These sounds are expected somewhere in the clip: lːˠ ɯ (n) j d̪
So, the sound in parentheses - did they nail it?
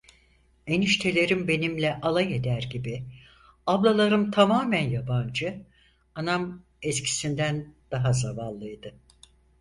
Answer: no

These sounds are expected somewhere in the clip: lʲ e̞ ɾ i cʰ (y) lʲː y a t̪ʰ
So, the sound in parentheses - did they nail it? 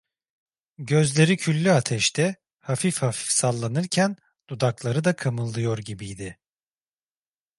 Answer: yes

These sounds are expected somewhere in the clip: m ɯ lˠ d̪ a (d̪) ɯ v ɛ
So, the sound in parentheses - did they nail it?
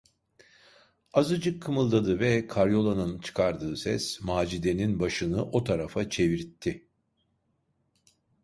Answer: yes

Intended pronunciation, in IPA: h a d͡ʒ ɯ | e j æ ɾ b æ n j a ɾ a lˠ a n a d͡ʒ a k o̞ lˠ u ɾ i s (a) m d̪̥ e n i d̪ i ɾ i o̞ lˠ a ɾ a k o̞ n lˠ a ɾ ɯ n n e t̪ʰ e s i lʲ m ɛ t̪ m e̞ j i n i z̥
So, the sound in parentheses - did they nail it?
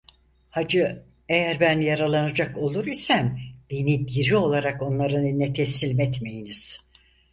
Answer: no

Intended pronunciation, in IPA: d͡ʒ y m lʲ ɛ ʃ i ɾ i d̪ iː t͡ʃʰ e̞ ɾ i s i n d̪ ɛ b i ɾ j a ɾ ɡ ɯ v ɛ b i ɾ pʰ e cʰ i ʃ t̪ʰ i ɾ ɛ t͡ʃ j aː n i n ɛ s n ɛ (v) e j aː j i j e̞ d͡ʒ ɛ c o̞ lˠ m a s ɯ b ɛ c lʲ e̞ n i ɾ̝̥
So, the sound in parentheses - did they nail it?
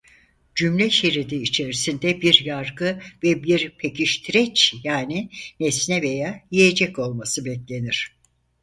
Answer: yes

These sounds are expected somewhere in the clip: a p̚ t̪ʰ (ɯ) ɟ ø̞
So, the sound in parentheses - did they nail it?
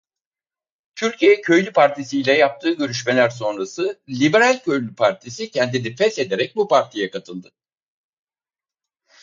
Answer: no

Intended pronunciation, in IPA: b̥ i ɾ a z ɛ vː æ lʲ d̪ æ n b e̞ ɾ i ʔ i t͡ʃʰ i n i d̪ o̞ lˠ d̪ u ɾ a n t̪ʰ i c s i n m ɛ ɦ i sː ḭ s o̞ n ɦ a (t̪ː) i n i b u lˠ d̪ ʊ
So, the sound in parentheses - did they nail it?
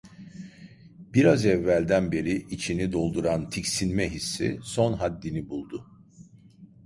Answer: no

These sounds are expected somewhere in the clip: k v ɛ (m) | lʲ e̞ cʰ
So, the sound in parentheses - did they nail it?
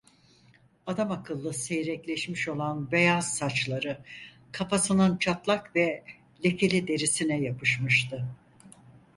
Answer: no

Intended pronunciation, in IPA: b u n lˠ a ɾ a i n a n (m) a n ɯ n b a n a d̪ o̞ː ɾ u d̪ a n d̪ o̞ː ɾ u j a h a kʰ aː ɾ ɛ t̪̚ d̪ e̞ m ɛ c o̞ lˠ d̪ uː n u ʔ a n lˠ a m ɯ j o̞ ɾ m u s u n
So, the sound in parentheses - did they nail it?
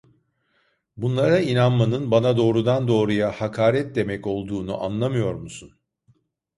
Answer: yes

